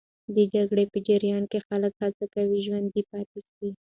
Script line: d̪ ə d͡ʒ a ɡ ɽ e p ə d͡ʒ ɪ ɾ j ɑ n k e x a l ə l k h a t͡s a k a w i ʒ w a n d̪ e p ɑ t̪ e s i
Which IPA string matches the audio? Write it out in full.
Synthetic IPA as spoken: d̪ ə d͡ʒ a ɡ ɽ e p ə d͡ʒ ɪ ɾ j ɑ n k e x a l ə k h a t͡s a k a w i ʒ w a n d̪ i p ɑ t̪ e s i